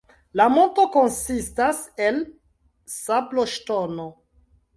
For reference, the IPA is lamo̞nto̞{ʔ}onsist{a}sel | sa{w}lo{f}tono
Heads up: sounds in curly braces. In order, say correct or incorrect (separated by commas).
incorrect, correct, incorrect, incorrect